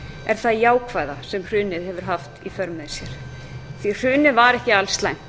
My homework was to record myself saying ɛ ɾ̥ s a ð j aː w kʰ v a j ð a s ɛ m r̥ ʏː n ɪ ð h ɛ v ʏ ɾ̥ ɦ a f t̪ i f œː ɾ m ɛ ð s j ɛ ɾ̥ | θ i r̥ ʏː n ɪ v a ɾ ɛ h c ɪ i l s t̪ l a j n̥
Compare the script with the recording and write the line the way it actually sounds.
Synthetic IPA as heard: ɛ ɾ̥ θ a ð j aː w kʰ v a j ð a s ɛ m r̥ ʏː n ɪ ð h ɛ v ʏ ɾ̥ ɦ a f t̪ i f œ ɾ m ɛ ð s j ɛ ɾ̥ | θ i r̥ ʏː n ɪ v a ɾ ɛ h c ɪ a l s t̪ l a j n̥